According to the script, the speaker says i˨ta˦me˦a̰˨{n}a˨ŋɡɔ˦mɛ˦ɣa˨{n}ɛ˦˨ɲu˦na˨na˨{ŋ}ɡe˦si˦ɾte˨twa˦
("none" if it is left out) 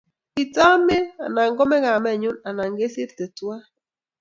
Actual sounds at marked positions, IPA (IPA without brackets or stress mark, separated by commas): n, m, ŋ